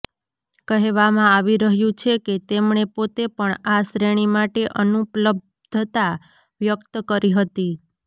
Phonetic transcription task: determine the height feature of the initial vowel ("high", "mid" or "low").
mid